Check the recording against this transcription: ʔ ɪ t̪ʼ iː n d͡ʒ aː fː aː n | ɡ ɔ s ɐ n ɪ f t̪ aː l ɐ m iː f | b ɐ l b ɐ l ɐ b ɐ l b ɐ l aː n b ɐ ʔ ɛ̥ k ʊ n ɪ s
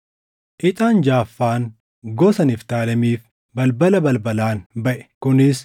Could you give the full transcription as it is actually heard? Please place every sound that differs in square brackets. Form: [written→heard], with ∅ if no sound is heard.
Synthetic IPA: ʔ ɪ t̪ʼ [iː→aː] n d͡ʒ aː fː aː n | ɡ ɔ s ɐ n ɪ f t̪ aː l ɐ m iː f | b ɐ l b ɐ l ɐ b ɐ l b ɐ l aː n b ɐ ʔ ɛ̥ k ʊ n ɪ s

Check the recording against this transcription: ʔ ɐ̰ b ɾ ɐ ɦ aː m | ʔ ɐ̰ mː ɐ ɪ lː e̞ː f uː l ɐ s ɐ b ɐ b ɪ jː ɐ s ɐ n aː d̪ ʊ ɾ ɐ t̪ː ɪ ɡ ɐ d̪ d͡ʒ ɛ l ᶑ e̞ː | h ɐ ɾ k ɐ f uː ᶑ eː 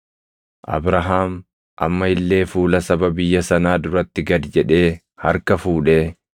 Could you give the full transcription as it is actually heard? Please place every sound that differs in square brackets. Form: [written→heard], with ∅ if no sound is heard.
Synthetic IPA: ʔ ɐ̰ b ɾ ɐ ɦ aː m | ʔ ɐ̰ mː ɐ ɪ lː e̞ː f uː l ɐ s ɐ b ɐ b ɪ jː ɐ s ɐ n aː d̪ ʊ ɾ ɐ t̪ː ɪ ɡ ɐ d̪ d͡ʒ ɛ [l→∅] ᶑ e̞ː | h ɐ ɾ k ɐ f uː ᶑ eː

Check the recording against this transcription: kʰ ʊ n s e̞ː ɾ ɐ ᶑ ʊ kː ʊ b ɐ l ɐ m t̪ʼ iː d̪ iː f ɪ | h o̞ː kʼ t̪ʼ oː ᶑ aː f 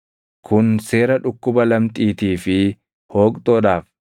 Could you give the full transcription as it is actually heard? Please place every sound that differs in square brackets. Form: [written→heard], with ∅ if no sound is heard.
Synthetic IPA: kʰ ʊ n s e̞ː ɾ ɐ ᶑ ʊ kː ʊ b ɐ l ɐ m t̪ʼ iː [d̪→t̪] iː f ɪ | h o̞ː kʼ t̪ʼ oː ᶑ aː f

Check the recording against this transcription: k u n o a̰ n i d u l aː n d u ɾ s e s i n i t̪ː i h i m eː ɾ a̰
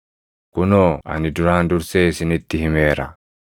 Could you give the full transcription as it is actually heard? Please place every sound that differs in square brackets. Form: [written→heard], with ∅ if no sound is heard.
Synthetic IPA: k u n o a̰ n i d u [l→ɾ] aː n d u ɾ s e s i n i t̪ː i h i m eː ɾ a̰

